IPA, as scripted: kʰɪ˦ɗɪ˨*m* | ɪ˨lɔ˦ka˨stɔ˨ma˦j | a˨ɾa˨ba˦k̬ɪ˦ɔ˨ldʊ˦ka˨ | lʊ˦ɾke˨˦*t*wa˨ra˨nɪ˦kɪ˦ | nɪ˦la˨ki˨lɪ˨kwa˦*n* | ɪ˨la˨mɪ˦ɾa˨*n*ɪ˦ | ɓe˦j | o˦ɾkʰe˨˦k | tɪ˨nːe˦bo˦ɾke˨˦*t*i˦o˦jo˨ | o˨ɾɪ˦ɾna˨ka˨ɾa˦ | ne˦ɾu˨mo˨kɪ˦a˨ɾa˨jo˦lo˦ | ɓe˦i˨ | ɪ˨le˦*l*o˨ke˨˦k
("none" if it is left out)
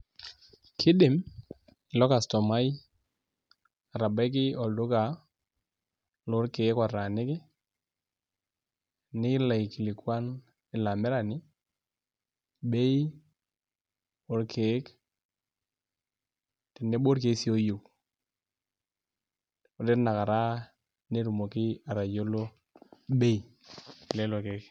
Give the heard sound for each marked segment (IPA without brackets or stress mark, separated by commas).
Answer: m, k, n, n, s, l